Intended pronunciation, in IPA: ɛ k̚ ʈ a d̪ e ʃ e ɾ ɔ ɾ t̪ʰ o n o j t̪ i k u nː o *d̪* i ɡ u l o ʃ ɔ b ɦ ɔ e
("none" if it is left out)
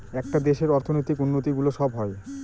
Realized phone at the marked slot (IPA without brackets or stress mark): t̪